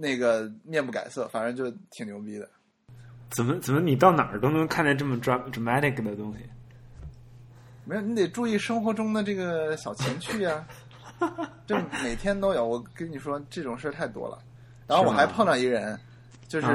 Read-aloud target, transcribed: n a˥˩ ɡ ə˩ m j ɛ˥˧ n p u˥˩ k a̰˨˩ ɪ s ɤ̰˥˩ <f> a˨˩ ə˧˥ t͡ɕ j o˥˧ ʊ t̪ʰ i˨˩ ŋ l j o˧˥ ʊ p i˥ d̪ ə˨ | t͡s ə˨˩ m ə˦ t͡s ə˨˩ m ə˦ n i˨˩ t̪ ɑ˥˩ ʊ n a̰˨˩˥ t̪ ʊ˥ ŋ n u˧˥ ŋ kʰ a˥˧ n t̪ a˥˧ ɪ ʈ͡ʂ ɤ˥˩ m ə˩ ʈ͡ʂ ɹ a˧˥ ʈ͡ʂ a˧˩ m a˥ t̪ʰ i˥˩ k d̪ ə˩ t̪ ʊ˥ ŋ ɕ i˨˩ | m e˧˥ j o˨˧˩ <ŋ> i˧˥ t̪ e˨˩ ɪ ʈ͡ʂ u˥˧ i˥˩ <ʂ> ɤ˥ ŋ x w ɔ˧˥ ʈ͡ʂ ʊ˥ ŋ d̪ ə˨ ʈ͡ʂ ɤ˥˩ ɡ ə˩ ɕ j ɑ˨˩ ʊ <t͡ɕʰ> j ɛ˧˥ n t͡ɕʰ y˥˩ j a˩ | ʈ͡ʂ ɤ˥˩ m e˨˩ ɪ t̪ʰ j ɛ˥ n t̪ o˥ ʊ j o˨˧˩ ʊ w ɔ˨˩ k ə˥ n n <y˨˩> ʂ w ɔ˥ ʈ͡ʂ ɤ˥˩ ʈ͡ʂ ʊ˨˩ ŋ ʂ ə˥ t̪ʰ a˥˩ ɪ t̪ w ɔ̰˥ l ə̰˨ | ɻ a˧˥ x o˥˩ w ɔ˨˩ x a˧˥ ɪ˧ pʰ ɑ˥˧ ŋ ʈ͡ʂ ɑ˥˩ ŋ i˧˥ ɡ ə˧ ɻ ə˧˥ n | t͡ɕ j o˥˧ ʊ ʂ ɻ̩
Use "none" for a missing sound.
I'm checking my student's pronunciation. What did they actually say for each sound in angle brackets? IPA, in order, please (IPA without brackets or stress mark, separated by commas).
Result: f, n, ʂ, t͡ɕʰ, i˨˩